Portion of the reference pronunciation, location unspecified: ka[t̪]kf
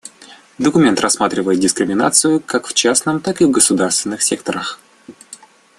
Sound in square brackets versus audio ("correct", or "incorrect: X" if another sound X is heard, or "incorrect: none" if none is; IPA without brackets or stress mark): incorrect: none